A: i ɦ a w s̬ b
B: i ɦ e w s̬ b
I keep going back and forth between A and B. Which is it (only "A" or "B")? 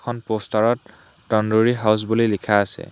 A